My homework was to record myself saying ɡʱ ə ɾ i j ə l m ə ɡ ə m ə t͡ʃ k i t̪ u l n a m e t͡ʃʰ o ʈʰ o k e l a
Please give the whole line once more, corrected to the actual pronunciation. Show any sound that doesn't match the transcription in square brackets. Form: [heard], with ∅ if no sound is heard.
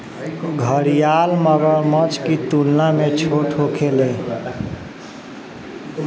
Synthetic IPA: ɡʱ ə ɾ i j [a] l m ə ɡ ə m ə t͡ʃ k i t̪ u l n a m e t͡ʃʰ o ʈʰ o [kʰ] e l [e]

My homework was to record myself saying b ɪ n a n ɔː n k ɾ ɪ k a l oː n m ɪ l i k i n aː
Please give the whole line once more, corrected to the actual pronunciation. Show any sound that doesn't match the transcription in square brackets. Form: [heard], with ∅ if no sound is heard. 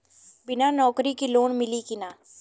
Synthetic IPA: b ɪ n a n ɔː [∅] k ɾ [i] k [i] l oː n m ɪ l i k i n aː

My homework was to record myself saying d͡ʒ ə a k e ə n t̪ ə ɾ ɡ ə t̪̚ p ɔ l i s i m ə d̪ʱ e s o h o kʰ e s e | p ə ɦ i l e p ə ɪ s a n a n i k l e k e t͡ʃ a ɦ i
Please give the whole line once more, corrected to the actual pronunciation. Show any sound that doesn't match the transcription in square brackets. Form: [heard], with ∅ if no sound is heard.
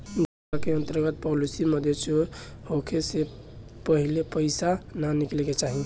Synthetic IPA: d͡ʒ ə a k e ə n t̪ ə ɾ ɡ ə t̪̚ p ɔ l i s i m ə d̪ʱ e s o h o kʰ e s e | p ə ɦ i l e p ə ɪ s a n a n i k l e k e t͡ʃ a ɦ i

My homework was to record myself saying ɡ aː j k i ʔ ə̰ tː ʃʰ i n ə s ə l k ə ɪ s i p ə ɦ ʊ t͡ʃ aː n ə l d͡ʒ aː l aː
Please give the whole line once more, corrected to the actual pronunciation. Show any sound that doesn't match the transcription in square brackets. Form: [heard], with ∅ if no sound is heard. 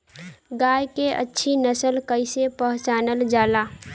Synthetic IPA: ɡ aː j k [e] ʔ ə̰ tː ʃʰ i n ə s ə l k ə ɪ s [e] p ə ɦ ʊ t͡ʃ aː n ə l d͡ʒ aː l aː

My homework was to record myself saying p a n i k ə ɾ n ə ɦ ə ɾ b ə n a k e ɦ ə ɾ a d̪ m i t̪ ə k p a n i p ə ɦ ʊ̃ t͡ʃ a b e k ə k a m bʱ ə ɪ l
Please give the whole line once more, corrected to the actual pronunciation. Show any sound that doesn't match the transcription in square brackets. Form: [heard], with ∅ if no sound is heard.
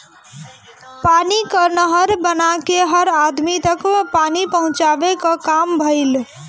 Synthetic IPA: p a n i k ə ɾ n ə ɦ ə ɾ b ə n a k e ɦ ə ɾ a d̪ m i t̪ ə k p a n i p ə ɦ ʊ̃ t͡ʃ a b e k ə k a m bʱ ə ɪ l

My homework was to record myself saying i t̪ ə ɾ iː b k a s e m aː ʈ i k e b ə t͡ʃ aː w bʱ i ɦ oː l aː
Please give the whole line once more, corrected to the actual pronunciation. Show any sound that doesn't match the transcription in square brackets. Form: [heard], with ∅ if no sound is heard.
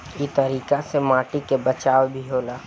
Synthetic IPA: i t̪ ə ɾ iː [∅] k a s e m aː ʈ i k e b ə t͡ʃ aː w bʱ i ɦ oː l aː

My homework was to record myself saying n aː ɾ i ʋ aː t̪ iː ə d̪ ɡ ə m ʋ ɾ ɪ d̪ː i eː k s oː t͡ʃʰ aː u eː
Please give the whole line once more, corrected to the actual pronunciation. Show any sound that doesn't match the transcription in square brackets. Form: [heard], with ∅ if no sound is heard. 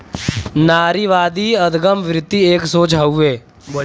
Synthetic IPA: n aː ɾ i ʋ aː [d̪] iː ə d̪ ɡ ə m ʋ ɾ ɪ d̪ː i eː k s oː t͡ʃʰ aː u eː

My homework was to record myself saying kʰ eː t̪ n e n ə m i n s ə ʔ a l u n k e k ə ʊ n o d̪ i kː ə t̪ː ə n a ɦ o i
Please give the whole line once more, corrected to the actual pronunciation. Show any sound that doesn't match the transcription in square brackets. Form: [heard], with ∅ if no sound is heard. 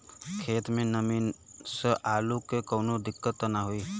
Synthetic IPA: kʰ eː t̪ [m] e n ə m i n s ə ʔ a l u [∅] k e k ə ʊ n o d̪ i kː ə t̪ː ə n a ɦ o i

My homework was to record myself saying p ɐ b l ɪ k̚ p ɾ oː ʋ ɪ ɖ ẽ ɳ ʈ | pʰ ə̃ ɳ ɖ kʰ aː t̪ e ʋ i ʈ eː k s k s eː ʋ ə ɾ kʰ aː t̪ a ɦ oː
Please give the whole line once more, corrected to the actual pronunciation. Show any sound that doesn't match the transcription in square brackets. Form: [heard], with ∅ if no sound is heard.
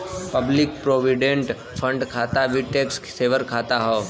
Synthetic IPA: p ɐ b l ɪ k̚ p ɾ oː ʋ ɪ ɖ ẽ ɳ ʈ | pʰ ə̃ ɳ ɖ kʰ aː t̪ [a] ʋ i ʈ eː k s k s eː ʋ ə ɾ kʰ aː t̪ a ɦ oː

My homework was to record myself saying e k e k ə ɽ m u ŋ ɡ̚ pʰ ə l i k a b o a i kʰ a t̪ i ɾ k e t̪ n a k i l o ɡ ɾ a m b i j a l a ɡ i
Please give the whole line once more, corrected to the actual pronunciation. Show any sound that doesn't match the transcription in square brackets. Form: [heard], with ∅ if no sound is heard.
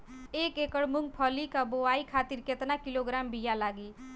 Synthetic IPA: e k e k ə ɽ m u ŋ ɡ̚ pʰ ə l i k a b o a i kʰ a t̪ i ɾ k e t̪ n a k i l o ɡ ɾ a m b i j a l a ɡ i

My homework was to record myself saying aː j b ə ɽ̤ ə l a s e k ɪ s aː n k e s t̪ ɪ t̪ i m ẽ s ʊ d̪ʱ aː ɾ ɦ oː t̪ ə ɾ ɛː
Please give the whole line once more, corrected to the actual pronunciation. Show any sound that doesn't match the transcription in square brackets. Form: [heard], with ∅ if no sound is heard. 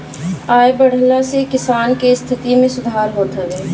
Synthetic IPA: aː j b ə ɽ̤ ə l a s e k ɪ s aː n k e s [t̪ʰ] ɪ t̪ i m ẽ s ʊ d̪ʱ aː ɾ ɦ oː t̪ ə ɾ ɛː

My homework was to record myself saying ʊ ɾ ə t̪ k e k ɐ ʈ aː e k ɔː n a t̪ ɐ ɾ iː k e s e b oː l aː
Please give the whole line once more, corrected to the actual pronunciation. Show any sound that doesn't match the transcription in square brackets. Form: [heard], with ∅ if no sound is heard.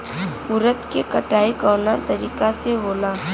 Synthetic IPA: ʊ ɾ ə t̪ k e k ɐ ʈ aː [i] k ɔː n a t̪ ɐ ɾ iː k [a] s e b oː l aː

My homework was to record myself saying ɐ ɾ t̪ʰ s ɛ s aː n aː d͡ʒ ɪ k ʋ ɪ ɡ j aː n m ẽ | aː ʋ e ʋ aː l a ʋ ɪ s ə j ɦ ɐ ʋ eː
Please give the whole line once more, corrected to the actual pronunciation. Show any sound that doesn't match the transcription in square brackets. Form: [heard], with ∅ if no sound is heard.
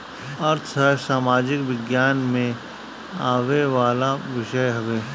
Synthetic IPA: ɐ ɾ t̪ʰ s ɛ s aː [m] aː d͡ʒ ɪ k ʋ ɪ ɡ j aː n m ẽ | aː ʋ e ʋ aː l a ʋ ɪ [ʃ] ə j ɦ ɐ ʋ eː

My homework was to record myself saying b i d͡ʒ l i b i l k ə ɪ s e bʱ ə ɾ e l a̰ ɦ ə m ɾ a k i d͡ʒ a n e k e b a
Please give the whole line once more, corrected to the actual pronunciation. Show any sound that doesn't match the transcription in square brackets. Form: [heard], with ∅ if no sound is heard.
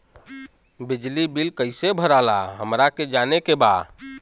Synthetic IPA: b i d͡ʒ l i b i l k ə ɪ s e bʱ ə ɾ [a] l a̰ ɦ ə m ɾ a k [e] d͡ʒ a n e k e b a

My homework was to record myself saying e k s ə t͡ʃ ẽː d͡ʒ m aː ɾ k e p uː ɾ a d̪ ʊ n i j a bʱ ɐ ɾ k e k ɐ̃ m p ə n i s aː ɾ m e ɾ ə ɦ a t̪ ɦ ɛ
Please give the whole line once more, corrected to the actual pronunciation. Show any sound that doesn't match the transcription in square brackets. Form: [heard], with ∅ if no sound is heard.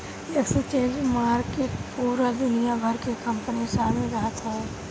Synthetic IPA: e k s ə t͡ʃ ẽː d͡ʒ m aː ɾ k e p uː ɾ a d̪ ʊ n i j a bʱ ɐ ɾ k e k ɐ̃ m p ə n i s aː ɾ m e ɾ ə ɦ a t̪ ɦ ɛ

